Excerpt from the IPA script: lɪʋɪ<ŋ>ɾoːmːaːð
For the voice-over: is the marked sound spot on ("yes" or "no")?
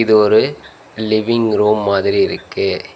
yes